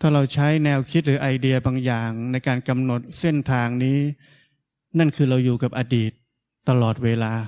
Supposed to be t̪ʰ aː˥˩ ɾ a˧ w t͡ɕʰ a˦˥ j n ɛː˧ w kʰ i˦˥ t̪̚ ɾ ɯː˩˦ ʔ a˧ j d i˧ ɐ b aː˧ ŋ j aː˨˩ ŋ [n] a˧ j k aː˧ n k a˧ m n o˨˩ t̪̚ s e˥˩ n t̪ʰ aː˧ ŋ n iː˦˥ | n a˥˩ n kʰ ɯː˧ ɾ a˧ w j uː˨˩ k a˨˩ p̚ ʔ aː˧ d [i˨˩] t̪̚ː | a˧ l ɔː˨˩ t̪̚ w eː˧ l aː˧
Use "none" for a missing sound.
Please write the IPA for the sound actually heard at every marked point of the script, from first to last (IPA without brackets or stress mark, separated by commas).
n, iː˨˩